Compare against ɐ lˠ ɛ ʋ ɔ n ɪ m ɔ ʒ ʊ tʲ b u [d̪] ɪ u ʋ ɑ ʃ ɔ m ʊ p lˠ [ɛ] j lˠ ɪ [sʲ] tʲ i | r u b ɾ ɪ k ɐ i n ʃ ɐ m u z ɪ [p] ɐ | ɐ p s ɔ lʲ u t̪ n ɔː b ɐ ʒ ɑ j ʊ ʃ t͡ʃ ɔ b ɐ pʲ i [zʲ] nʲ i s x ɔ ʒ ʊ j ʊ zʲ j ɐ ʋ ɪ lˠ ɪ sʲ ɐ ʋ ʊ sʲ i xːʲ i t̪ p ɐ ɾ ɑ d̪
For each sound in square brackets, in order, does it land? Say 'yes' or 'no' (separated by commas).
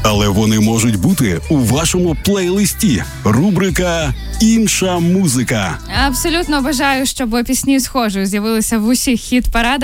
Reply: no, yes, yes, no, no